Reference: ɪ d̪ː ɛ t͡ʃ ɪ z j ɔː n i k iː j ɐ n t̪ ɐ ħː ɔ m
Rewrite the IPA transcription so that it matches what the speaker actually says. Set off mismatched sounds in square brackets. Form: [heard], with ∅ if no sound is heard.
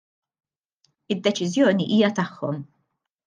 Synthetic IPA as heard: ɪ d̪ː ɛ t͡ʃ ɪ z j ɔː n i [ʔ] iː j ɐ [∅] t̪ ɐ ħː ɔ m